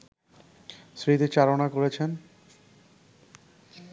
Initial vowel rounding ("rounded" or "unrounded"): unrounded